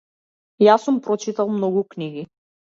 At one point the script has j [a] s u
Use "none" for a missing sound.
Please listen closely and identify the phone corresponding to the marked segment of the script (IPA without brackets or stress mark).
a